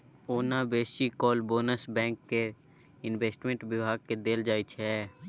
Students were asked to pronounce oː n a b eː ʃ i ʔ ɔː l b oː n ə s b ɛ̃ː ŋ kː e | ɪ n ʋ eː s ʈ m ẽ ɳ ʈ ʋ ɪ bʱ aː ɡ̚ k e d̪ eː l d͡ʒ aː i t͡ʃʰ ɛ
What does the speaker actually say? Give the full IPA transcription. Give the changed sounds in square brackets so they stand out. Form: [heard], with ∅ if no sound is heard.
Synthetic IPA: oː n a b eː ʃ i [k] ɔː l b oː n ə s b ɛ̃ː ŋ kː e | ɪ n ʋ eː s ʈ m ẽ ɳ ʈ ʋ ɪ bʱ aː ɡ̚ k e d̪ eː l d͡ʒ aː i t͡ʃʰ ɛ